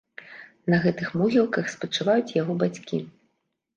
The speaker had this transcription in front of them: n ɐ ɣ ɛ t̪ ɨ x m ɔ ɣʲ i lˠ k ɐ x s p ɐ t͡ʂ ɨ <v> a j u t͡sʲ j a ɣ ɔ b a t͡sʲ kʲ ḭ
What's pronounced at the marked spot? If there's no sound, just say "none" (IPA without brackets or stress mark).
v